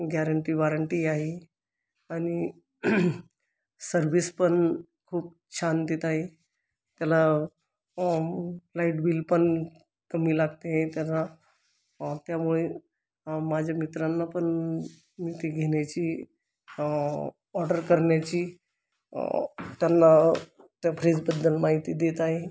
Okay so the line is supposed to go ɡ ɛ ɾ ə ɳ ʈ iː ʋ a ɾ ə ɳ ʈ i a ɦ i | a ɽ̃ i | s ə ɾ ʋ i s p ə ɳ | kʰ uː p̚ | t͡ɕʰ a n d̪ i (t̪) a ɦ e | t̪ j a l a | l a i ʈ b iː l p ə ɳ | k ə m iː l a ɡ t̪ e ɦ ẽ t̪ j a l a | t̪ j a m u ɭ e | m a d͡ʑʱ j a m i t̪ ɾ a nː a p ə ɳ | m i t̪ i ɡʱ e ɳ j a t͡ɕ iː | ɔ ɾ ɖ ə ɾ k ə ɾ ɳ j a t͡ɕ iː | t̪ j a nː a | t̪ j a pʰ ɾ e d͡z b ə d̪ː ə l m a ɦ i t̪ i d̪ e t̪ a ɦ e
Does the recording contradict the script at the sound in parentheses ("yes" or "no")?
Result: no